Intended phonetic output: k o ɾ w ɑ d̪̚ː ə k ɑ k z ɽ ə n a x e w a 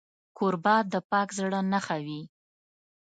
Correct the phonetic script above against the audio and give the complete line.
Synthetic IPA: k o ɾ b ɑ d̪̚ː ə p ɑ k z ɽ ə n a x a w i